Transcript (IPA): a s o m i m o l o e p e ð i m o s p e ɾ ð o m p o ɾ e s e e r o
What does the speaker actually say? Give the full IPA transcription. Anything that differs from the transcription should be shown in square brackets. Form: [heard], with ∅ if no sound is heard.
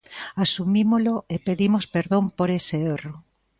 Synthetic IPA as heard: a s [u] m i m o l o e p e ð i m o s p e ɾ ð o m p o ɾ e s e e r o

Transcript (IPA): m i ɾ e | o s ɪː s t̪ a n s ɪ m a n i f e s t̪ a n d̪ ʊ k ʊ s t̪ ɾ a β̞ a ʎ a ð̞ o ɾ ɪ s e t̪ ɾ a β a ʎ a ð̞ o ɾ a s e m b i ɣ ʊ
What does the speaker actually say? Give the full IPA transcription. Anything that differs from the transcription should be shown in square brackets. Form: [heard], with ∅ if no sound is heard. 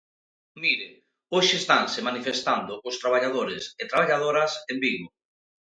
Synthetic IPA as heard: m i ɾ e | o [ʃ] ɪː s t̪ a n s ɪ m a n i f e s t̪ a n d̪ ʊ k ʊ s t̪ ɾ a β̞ a ʎ a ð̞ o ɾ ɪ s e t̪ ɾ a β a ʎ a ð̞ o ɾ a s e m b i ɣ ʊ

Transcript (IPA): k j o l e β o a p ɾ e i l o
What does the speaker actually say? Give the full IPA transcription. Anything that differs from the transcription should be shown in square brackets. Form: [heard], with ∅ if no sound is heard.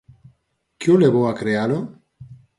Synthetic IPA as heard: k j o l e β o a [k] ɾ e [a] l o

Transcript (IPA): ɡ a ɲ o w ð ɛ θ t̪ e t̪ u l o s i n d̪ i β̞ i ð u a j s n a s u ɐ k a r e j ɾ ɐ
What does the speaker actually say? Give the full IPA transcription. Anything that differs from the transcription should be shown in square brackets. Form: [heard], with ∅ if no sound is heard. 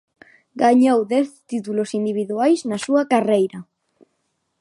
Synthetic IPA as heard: ɡ a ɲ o w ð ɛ θ t̪ [i] t̪ u l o s i n d̪ i β̞ i ð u a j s n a s u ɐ k a r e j ɾ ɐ

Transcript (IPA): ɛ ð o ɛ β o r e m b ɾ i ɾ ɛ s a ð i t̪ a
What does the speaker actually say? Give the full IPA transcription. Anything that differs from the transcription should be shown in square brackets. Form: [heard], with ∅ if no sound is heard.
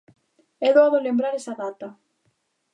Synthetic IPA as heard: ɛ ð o [a] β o [l] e m b ɾ [a] ɾ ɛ s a ð [a] t̪ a

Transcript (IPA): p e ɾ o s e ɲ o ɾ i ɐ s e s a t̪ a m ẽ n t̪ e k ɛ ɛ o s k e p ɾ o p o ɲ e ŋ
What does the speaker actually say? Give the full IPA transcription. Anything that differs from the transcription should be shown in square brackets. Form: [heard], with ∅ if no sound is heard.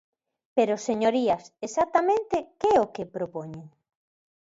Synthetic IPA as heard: p e ɾ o s e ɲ o ɾ i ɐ s e s a t̪ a m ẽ n t̪ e k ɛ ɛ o [∅] k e p ɾ o p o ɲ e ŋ

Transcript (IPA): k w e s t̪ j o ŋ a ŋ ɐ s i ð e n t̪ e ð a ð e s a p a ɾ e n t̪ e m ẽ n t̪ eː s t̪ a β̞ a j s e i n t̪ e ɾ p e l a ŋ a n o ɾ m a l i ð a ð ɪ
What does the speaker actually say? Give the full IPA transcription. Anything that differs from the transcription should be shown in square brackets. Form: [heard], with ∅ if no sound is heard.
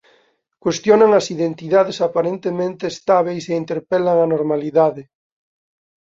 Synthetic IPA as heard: k w e s t̪ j o [n] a ŋ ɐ s i ð e n t̪ [i] ð a ð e s a p a ɾ e n t̪ e m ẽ n t̪ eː s t̪ a β̞ [e] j s e i n t̪ e ɾ p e l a ŋ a n o ɾ m a l i ð a ð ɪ

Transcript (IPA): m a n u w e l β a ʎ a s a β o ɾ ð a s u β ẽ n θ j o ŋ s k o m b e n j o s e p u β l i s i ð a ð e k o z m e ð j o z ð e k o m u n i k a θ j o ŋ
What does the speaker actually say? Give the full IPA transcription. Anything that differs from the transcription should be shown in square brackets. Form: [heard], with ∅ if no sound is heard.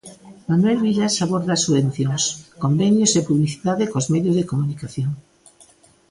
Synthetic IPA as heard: m a n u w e l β [i] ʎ a s a β o ɾ ð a s u β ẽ n θ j o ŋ s k o m b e n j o s e p u β l i [θ] i ð a ð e k o z m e ð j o z ð e k o m u n i k a θ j o ŋ

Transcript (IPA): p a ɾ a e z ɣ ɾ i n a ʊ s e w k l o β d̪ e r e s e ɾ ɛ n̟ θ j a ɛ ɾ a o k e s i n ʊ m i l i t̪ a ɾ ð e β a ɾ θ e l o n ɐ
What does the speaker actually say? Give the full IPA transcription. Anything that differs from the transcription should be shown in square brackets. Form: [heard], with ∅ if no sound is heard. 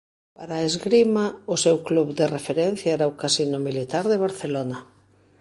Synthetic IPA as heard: p a ɾ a e z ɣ ɾ i [m] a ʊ s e w k l [u] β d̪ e r e [f] e ɾ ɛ n̟ θ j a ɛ ɾ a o k [a] s i n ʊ m i l i t̪ a ɾ ð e β a ɾ θ e l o n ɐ

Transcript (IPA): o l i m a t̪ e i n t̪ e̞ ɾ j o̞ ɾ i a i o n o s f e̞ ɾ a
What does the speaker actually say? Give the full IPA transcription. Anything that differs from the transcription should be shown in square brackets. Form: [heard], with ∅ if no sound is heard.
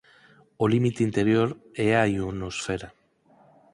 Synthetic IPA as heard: o l i m [i] t̪ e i n t̪ e̞ ɾ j o̞ ɾ [e] a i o n o s f e̞ ɾ a

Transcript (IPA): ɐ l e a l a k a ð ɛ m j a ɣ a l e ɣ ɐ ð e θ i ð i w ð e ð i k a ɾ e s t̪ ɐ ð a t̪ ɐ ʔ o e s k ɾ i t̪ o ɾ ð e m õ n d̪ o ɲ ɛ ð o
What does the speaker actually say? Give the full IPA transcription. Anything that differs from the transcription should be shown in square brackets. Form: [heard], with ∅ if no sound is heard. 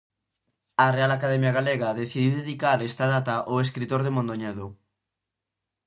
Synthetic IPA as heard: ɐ [r] e a l a k a ð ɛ m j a ɣ a l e ɣ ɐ ð e θ i ð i w ð e ð i k a ɾ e s t̪ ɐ ð a t̪ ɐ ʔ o e s k ɾ i t̪ o ɾ ð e m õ n d̪ o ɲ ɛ ð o

